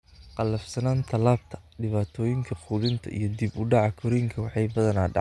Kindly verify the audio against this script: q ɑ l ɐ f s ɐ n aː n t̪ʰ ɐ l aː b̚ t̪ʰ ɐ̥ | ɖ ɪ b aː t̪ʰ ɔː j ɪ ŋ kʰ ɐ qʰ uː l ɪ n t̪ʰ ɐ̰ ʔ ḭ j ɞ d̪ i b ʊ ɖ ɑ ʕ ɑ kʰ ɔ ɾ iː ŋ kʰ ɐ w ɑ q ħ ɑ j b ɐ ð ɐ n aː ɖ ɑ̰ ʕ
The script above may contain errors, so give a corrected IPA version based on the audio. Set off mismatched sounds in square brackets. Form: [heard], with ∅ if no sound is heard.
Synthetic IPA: q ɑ l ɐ f s ɐ n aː n t̪ʰ ɐ l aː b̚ t̪ʰ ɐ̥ | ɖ ɪ [β] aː t̪ʰ ɔː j ɪ ŋ kʰ ɐ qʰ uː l ɪ n t̪ʰ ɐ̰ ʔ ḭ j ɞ d̪ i b ʊ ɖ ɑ ʕ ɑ kʰ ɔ ɾ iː ŋ kʰ ɐ w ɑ [∅] ħ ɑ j b ɐ ð ɐ n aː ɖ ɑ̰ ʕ